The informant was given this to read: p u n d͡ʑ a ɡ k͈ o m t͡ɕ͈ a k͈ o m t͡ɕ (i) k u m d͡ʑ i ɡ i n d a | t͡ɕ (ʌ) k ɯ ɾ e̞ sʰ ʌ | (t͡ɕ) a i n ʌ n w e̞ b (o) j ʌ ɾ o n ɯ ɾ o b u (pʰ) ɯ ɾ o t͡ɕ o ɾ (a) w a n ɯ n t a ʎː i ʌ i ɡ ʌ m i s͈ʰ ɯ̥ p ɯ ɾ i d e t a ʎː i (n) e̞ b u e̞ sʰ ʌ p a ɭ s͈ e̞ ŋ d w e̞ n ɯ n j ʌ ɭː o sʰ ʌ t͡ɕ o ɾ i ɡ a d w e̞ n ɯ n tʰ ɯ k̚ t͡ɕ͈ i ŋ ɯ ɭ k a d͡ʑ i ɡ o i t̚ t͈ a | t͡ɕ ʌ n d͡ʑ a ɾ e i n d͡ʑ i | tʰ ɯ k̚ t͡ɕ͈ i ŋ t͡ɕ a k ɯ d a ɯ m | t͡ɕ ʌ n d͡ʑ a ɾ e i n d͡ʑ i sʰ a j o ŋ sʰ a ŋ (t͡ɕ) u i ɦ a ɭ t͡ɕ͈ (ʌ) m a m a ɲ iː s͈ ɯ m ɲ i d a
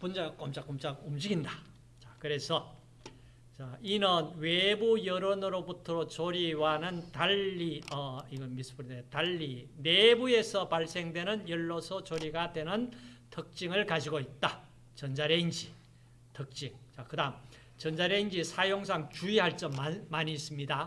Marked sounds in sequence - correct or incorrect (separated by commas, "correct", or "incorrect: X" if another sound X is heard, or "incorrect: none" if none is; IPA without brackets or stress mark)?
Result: incorrect: a, incorrect: a, correct, incorrect: u, incorrect: tʰ, incorrect: i, correct, correct, correct